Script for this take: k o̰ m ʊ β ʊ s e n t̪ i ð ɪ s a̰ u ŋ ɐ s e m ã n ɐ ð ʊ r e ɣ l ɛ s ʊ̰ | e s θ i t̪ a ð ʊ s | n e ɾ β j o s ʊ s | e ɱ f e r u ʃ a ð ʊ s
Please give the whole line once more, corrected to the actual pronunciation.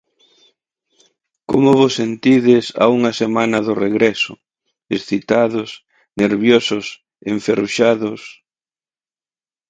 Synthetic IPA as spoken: k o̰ m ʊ β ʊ s e n t̪ i ð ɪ s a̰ u ŋ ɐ s e m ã n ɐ ð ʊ r e ɣ ɾ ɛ s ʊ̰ | e s θ i t̪ a ð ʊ s | n e ɾ β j o s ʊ s | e ɱ f e r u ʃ a ð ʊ s